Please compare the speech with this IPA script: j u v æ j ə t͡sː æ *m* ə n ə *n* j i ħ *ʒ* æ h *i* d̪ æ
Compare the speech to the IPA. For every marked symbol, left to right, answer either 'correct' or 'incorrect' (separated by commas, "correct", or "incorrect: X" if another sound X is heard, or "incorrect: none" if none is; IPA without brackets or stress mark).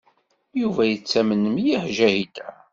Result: correct, incorrect: m, correct, correct